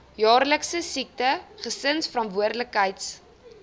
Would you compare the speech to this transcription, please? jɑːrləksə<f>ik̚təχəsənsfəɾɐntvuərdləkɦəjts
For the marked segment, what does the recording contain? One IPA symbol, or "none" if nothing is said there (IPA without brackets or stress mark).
s